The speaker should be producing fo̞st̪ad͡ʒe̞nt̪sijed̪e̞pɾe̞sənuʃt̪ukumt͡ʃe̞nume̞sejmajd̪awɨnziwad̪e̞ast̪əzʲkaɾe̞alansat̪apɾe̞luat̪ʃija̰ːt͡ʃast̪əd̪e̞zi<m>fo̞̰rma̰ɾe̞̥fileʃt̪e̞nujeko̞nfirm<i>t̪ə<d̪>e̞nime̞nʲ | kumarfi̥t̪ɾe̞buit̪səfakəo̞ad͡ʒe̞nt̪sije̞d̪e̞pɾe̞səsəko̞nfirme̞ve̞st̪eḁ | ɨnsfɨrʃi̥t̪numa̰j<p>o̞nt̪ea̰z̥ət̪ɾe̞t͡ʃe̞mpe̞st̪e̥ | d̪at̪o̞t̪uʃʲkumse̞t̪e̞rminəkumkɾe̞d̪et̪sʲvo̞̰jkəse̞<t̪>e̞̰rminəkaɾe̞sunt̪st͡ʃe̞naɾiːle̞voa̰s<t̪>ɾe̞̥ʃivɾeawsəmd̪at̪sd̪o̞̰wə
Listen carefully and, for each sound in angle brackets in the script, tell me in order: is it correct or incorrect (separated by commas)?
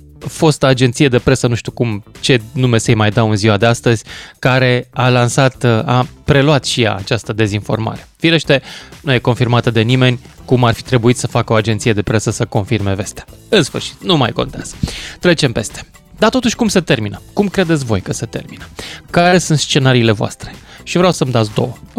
incorrect, incorrect, correct, incorrect, correct, correct